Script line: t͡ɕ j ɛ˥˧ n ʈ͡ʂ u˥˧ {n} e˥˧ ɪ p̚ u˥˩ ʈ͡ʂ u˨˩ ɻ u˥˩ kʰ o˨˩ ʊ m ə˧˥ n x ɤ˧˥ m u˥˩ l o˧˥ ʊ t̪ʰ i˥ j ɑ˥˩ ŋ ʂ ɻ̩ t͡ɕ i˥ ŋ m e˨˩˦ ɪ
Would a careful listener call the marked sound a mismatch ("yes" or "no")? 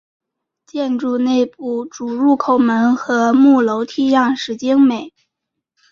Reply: no